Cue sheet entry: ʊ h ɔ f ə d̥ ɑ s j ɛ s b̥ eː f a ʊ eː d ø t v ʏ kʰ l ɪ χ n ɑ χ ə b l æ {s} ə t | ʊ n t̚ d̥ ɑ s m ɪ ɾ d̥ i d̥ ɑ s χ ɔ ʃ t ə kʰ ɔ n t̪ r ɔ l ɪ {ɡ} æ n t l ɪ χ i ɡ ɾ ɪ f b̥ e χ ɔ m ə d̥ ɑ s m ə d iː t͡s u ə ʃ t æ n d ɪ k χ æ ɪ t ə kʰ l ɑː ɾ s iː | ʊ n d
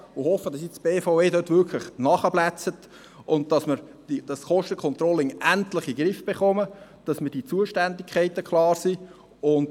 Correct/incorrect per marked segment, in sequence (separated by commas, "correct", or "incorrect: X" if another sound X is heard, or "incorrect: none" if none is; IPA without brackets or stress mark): incorrect: t͡s, incorrect: ŋ